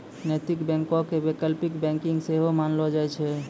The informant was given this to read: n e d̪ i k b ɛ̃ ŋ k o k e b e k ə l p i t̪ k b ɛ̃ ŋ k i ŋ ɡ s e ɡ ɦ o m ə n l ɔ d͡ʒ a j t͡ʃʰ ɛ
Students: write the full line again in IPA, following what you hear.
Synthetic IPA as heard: n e t̪ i k b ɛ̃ ŋ k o k e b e k ə l p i k b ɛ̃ ŋ k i ŋ ɡ s e ɦ o m a n l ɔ d͡ʒ a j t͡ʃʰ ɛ